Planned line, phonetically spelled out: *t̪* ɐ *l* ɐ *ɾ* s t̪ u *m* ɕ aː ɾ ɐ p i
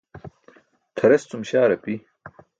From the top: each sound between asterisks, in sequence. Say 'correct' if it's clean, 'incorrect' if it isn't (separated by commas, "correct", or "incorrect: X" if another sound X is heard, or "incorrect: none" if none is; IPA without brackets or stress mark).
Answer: incorrect: t̪ʰ, incorrect: ɾ, incorrect: none, correct